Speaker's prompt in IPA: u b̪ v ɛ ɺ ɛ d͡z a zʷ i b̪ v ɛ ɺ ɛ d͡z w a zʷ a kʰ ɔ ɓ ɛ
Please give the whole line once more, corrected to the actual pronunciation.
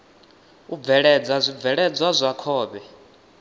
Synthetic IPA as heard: u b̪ v ɛ ɺ ɛ d͡z a zʷ i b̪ v ɛ ɺ ɛ d͡z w a zʷ a kʰ ɔː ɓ ɛ